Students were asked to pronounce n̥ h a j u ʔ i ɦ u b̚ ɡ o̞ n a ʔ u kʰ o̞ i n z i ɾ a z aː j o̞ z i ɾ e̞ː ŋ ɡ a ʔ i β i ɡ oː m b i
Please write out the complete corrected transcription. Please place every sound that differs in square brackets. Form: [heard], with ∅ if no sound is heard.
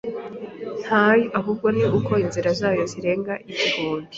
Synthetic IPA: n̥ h a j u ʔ [a] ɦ u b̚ ɡ o̞ n [i] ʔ u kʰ o̞ i n z i ɾ a z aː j o̞ z i ɾ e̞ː ŋ ɡ a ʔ i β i ɡ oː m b i